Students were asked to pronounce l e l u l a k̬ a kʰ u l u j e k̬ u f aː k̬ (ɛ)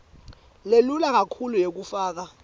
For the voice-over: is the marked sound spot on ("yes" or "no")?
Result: no